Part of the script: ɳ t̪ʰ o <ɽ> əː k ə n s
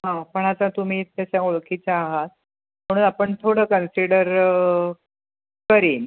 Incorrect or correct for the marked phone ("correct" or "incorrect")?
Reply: correct